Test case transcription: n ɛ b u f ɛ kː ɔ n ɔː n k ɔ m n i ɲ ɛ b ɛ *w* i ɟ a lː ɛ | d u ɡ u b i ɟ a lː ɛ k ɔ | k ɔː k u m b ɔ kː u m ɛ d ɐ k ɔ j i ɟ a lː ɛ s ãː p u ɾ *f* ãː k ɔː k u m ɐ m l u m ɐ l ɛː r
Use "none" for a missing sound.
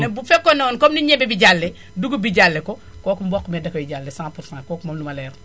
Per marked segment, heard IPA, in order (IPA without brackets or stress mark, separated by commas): b, s